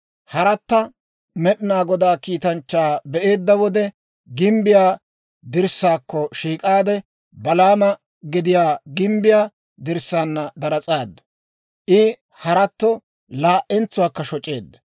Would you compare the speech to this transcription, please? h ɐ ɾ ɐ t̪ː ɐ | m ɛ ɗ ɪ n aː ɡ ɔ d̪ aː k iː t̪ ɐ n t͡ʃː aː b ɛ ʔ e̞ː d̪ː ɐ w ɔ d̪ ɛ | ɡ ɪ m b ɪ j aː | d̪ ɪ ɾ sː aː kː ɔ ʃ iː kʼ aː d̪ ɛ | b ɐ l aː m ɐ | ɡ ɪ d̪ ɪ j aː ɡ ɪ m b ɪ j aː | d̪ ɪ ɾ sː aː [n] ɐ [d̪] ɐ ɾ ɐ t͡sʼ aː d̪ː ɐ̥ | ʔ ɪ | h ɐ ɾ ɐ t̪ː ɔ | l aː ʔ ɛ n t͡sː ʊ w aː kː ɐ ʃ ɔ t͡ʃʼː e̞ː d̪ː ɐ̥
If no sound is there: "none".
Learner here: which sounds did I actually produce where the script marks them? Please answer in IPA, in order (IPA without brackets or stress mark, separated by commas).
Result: nː, d̪